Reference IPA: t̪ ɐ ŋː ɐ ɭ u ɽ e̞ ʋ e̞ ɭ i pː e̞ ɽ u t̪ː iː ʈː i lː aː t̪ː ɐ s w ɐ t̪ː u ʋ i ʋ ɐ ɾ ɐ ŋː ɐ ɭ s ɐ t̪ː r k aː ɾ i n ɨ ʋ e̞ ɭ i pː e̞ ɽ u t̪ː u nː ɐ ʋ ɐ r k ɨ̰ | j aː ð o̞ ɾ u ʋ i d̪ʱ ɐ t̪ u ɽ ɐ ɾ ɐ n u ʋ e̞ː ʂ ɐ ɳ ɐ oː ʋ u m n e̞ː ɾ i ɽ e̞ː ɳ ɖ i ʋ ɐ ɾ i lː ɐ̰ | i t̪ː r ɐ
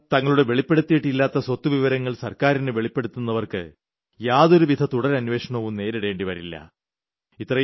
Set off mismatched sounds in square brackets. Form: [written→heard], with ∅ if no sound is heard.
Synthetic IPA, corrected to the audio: t̪ ɐ ŋː ɐ ɭ u ɽ e̞ ʋ e̞ ɭ i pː e̞ ɽ u t̪ː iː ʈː i lː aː t̪ː ɐ s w ɐ t̪ː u ʋ i ʋ ɐ ɾ ɐ ŋː ɐ ɭ s ɐ [t̪ː→∅] r k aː ɾ i n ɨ ʋ e̞ ɭ i pː e̞ ɽ u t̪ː u nː ɐ ʋ ɐ r k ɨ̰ | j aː ð o̞ ɾ u ʋ i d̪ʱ ɐ t̪ u ɽ ɐ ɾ ɐ n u ʋ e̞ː ʂ ɐ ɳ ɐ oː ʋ u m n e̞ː ɾ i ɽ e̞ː ɳ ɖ i ʋ ɐ ɾ i lː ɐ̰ | i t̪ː r ɐ

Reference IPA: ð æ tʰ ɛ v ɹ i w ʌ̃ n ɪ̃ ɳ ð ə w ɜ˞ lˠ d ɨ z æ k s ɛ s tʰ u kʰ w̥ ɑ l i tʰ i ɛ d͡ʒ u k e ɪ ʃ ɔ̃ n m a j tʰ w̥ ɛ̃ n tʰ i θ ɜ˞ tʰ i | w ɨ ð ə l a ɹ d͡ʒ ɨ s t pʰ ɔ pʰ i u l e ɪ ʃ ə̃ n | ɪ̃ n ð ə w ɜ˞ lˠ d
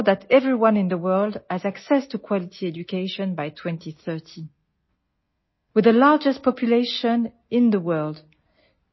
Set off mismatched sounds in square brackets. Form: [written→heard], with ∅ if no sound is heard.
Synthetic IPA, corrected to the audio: ð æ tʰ ɛ v ɹ i w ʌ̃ n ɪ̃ [ɳ→n] ð ə w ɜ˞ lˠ d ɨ z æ k s ɛ s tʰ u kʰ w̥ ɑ l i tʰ i ɛ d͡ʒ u k e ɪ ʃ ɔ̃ n [m→b] a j tʰ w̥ ɛ̃ n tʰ i θ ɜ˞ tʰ i | w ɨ ð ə l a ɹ d͡ʒ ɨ s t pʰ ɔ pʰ [i→j] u l e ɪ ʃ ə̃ n | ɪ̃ n ð ə w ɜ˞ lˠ d

